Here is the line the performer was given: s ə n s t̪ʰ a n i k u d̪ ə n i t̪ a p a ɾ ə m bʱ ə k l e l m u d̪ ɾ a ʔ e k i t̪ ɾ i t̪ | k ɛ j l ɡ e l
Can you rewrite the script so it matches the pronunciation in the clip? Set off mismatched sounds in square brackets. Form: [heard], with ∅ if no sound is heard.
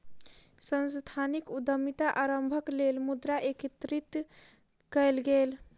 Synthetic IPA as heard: s ə n s t̪ʰ a n i k u d̪ ə [m] i t̪ a [ʔ] a ɾ ə m bʱ ə k l e l m u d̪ ɾ a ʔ e k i t̪ ɾ i t̪ | k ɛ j l ɡ e l